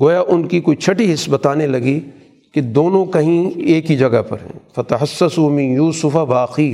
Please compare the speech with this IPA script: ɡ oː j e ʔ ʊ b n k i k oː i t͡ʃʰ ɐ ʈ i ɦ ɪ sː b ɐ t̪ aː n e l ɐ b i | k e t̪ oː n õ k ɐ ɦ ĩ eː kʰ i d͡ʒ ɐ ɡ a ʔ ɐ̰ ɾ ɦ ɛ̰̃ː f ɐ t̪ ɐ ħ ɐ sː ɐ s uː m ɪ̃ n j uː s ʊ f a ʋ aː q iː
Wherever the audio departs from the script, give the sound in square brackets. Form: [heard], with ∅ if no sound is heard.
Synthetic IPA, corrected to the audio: ɡ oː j [a] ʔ ʊ [∅] n k i k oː i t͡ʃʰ ɐ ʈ i ɦ ɪ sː b ɐ t̪ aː n e l ɐ [ɡ] i | k e [d̪] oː n õ k ɐ ɦ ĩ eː [k] i d͡ʒ ɐ ɡ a [p] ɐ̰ ɾ ɦ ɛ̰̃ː f ɐ t̪ ɐ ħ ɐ sː ɐ s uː m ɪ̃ n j uː s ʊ f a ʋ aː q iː